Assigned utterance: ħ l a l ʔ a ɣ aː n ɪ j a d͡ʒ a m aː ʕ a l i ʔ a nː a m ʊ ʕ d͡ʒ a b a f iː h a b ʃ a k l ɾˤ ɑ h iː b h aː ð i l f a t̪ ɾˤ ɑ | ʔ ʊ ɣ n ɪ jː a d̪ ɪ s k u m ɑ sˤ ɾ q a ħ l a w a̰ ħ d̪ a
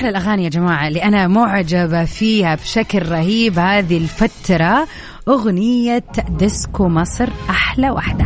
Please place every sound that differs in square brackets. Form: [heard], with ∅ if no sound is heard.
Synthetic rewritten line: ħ l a l ʔ a ɣ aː n ɪ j a d͡ʒ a m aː ʕ a l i ʔ a [n] a m ʊ ʕ d͡ʒ a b a f iː h a b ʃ a k l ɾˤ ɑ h iː b h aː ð i l f a t̪ ɾˤ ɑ | ʔ ʊ ɣ n ɪ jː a d̪ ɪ s k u m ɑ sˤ ɾ [ʔ] a ħ l a w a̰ ħ d̪ a